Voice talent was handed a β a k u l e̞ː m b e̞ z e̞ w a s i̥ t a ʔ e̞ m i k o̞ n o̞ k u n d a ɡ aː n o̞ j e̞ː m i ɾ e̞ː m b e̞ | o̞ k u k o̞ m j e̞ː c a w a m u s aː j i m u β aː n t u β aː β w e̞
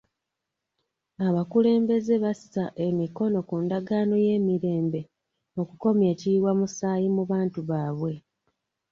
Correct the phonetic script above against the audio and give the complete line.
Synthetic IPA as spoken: a β a k u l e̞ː m b e̞ z e̞ β a s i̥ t a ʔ e̞ m i k o̞ n o̞ k u n d a ɡ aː n o̞ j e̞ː m i ɾ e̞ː m b e̞ | o̞ k u k o̞ m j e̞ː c i w a m u s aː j i m u β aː n t u β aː β w e̞

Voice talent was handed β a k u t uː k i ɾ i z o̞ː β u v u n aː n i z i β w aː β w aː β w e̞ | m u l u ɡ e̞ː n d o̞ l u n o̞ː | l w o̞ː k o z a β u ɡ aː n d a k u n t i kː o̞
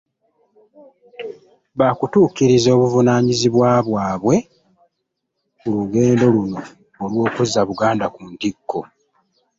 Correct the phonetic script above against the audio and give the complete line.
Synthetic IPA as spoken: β a k u t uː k i ɾ i z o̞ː β u v u n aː ɲ i z i β w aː β w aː β w e̞ | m u l u ɡ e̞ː n d o̞ l u n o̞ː | l w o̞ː k u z a β u ɡ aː n d a k u n t i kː o̞

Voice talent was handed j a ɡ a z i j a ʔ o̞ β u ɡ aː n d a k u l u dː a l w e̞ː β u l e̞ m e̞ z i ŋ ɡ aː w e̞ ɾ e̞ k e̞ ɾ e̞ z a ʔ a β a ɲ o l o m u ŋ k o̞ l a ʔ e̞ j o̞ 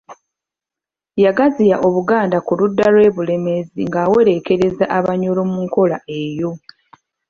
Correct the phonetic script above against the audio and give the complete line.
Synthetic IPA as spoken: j a ɡ a z i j a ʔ o̞ β u ɡ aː n d a k u l u dː a l w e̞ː β u l e̞ m e̞ z i ŋ ɡ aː w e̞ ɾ e̞ k e̞ ɾ e̞ z a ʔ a β a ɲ o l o m u ŋ k o̞ l a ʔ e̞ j o̞

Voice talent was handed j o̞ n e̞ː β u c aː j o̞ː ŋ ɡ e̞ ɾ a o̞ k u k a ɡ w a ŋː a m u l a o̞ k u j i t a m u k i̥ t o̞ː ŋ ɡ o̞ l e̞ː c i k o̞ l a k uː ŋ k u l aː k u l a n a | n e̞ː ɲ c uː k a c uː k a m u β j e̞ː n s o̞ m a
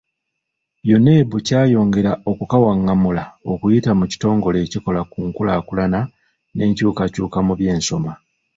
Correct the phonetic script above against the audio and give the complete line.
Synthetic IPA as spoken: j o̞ n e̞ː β u c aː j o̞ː ŋ ɡ e̞ ɾ a o̞ k u k a w a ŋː a m u l a o̞ k u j i t a m u c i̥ t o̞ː ŋ ɡ o̞ l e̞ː c i k o̞ l a k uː ŋ k u l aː k u l a n a | n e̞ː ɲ c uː k a c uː k a m u β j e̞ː n s o̞ m a

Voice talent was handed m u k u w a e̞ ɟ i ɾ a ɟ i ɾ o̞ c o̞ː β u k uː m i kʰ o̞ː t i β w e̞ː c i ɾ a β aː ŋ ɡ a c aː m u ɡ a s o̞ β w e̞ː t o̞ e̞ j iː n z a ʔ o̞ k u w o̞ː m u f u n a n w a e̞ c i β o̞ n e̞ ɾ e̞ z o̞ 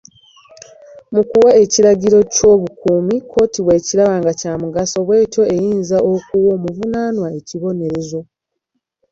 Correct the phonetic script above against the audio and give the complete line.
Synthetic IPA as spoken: m u k u w a e̞ c i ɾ a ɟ i ɾ o̞ c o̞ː β u k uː m i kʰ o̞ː t i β w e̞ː c i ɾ a β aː ŋ ɡ a c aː m u ɡ a s o̞ β w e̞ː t o̞ e̞ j iː n z a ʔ o̞ k u w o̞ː m u v u n a n w a e̞ c i β o̞ n e̞ ɾ e̞ z o̞

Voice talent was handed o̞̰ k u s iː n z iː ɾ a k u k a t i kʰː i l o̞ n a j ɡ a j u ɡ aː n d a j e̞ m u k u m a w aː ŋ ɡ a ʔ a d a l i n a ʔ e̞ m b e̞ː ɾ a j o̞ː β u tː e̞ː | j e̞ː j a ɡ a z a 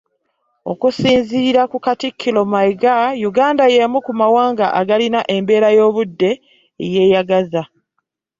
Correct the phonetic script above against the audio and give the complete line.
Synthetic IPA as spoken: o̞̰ k u s iː n z iː ɾ a k u k a t i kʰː i l o̞ m a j ɡ a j u ɡ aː n d a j e̞ m u k u m a w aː ŋ ɡ a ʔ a ɡ a l i n a ʔ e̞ m b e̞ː ɾ a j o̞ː β u dː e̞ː | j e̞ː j a ɡ a z a

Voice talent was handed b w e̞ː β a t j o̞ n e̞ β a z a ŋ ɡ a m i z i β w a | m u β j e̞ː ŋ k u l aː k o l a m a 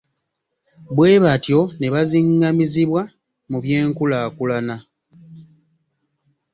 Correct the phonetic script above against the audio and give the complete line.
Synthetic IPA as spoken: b w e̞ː β a t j o̞ n e̞ β a z i ŋ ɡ a m i z i β w a | m u β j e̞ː ŋ k u l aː k u l a n a

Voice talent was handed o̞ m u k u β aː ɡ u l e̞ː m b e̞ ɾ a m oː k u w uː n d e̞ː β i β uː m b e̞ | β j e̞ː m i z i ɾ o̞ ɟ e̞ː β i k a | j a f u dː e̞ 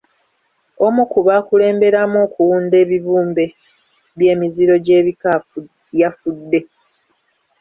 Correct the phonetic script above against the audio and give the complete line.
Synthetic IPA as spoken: o̞ m u k u β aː k u l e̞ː m b e̞ ɾ a m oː k u w uː n d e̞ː β i β uː m b e̞ | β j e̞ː m i z i ɾ o̞ ɟ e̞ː β i k a | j a f u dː e̞

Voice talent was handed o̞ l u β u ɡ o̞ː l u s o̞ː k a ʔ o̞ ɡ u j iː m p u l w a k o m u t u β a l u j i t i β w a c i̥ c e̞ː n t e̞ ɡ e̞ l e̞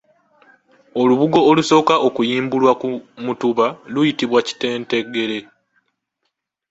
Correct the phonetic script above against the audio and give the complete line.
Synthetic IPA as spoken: o̞ l u β u ɡ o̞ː l u s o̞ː k a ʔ o̞ k u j iː m b u l w a k u m u t u β a l u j i t i β w a c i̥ t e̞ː n t e̞ ɡ e̞ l e̞

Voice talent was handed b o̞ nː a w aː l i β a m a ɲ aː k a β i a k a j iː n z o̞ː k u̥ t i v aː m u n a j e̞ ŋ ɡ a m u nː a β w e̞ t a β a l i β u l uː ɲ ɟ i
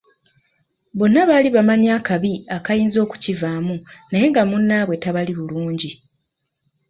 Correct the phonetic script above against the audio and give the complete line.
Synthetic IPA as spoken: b o̞ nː a β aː l i β a m a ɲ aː k a β i a k a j iː n z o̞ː k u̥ c i v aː m u n a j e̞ ŋ ɡ a m u nː a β w e̞ t a β a l i β u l uː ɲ ɟ i

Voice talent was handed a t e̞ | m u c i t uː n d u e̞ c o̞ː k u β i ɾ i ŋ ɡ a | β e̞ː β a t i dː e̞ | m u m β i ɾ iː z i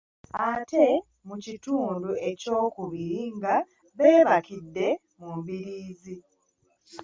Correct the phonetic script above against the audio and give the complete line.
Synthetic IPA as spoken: a t e̞ | m u c i t uː n d u e̞ c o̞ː k u β i ɾ i ŋ ɡ a | β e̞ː β a k i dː e̞ | m u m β i ɾ iː z i

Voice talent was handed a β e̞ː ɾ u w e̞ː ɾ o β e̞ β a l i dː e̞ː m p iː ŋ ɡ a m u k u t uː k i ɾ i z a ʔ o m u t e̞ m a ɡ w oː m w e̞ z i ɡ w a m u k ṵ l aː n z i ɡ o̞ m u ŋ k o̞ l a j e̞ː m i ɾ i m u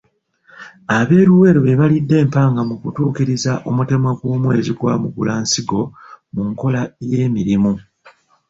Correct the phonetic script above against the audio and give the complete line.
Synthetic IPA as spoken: a β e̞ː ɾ u w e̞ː ɾ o β e̞ β a l i dː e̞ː m p aː ŋ ɡ a m u k u t uː k i ɾ i z a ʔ o m u t e̞ m a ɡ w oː m w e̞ z i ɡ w a m u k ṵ l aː n s i ɡ o̞ m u ŋ k o̞ l a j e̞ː m i ɾ i m u

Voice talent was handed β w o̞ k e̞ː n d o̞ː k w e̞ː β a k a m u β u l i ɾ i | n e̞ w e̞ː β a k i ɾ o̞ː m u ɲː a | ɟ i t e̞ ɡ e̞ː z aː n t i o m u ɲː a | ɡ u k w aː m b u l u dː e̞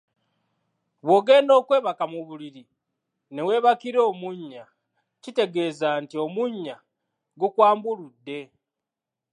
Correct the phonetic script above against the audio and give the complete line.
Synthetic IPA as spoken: β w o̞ ɡ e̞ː n d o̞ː k w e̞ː β a k a m u β u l i ɾ i | n e̞ w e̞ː β a k i ɾ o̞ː m u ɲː a | c i t e̞ ɡ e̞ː z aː n t i o m u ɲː a | ɡ u k w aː m b u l u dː e̞

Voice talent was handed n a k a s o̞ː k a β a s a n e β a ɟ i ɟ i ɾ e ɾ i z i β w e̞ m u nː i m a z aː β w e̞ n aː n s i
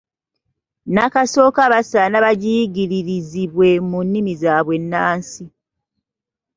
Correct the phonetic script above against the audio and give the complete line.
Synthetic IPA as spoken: n a k a s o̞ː k a β a s a n a β a ɟ i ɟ i ɾ i ɾ i z i β w e̞ m u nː i m i z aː β w e̞ nː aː n s i

